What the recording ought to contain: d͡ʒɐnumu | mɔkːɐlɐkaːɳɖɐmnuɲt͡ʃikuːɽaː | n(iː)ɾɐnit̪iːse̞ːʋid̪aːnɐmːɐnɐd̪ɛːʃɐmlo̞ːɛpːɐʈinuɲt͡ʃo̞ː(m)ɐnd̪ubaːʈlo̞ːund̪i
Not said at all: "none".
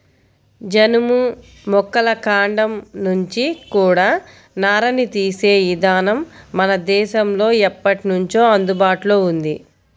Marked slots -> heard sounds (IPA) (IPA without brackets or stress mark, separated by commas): aː, none